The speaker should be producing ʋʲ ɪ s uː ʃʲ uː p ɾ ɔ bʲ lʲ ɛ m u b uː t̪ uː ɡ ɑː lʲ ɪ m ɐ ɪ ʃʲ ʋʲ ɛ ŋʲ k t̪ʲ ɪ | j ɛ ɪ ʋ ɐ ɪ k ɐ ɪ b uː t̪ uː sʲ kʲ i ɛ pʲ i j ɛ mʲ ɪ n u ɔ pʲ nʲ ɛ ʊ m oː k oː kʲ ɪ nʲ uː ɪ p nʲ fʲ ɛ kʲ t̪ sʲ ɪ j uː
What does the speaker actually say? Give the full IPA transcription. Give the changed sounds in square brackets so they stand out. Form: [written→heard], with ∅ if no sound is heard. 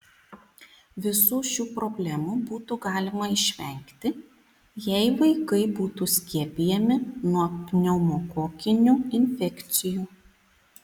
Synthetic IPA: ʋʲ ɪ s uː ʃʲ uː p ɾ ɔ bʲ lʲ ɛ m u b uː t̪ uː ɡ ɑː lʲ ɪ m ɐ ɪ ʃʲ ʋʲ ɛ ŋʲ k t̪ʲ ɪ | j ɛ ɪ ʋ ɐ ɪ k ɐ ɪ b uː t̪ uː sʲ kʲ i ɛ pʲ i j ɛ mʲ ɪ n u ɔ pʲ nʲ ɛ ʊ m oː k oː kʲ ɪ nʲ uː ɪ [p→∅] nʲ fʲ ɛ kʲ t̪ sʲ ɪ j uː